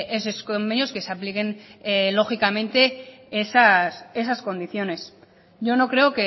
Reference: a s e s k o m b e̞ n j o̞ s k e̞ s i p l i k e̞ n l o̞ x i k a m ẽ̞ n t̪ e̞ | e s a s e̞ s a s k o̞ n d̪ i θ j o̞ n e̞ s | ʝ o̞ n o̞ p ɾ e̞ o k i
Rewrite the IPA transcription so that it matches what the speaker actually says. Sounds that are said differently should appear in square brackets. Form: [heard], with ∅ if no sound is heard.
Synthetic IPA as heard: [e] s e s k o m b e̞ n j o̞ s k e̞ s [a] p l i k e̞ n l o̞ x i k a m ẽ̞ n t̪ e̞ | e s a s e̞ s a s k o̞ n d̪ i θ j o̞ n e̞ s | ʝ o̞ n o̞ [k] ɾ e̞ o k [e]